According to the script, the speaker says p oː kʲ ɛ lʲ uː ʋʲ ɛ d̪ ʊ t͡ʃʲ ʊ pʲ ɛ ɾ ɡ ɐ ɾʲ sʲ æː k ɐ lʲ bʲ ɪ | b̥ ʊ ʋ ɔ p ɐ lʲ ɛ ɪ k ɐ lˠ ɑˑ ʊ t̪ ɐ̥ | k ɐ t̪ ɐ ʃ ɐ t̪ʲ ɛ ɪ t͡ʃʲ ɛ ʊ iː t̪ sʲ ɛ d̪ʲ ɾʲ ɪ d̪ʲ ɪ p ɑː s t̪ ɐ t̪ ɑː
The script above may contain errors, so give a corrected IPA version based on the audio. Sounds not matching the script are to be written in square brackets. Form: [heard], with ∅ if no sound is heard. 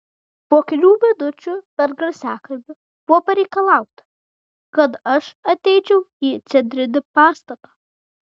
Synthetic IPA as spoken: p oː kʲ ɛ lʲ uː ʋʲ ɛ d̪ ʊ t͡ʃʲ ʊ pʲ ɛ ɾ ɡ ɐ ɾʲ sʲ æː k ɐ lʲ bʲ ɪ | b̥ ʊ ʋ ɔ p ɐ [ɾʲ] ɛ ɪ k ɐ lˠ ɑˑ ʊ t̪ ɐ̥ | k ɐ t̪ ɐ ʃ ɐ t̪ʲ ɛ ɪ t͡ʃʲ ɛ ʊ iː t̪ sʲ ɛ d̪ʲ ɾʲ ɪ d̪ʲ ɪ p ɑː s t̪ ɐ t̪ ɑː